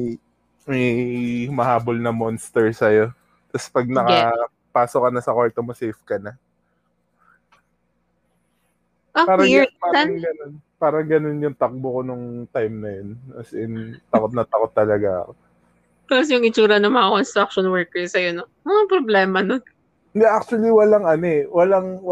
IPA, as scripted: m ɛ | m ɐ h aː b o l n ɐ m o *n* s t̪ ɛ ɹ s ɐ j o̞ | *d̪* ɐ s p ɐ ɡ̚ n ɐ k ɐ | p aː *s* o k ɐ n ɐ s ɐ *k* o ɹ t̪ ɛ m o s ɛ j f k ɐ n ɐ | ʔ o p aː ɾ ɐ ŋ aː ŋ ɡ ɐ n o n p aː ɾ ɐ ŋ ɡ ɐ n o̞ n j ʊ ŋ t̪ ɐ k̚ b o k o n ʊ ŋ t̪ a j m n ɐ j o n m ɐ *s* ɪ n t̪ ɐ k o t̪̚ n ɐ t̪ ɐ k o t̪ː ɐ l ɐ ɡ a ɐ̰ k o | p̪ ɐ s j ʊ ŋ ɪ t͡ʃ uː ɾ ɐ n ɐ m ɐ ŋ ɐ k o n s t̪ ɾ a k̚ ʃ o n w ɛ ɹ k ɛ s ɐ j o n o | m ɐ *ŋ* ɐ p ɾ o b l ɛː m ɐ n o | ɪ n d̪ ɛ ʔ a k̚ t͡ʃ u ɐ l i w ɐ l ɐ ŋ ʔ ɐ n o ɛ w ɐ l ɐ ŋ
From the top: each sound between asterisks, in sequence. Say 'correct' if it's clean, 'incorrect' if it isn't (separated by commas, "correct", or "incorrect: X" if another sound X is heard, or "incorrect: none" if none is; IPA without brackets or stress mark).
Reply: correct, incorrect: t̪, correct, correct, correct, correct